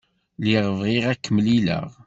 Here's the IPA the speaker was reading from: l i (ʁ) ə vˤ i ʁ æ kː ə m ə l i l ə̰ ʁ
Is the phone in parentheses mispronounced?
no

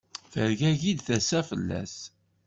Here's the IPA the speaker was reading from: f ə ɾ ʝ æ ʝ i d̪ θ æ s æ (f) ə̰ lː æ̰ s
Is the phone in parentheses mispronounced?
no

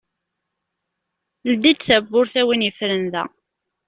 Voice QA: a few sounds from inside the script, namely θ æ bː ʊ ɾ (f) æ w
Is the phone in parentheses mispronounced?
yes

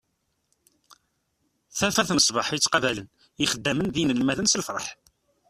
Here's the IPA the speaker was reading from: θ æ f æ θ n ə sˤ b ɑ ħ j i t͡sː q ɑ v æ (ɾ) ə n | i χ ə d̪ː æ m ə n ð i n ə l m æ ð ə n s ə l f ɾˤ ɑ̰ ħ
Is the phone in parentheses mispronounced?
yes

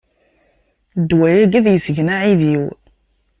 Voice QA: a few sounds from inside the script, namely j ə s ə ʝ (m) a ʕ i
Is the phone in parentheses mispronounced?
yes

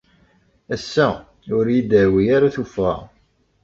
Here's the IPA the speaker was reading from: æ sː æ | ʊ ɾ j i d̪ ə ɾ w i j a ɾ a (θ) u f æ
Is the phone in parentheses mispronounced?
no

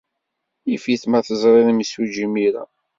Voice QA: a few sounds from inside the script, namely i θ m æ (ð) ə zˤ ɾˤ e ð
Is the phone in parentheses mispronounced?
yes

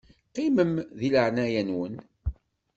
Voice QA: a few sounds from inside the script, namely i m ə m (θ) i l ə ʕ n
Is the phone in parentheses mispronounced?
yes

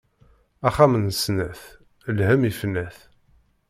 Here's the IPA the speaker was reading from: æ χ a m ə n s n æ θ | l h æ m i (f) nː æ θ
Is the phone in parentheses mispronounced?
no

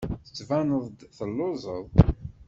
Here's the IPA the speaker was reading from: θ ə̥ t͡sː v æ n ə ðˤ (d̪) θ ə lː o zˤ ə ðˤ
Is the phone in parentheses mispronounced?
no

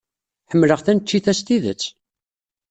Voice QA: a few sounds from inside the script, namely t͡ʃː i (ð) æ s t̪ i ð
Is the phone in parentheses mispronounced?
yes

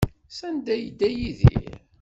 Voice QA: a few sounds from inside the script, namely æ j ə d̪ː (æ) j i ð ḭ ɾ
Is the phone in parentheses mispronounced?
no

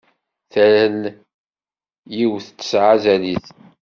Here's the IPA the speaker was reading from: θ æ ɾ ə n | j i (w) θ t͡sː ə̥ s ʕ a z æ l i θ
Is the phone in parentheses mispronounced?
no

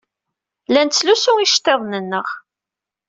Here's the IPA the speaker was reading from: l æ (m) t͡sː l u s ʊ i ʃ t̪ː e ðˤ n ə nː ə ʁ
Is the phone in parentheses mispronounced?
yes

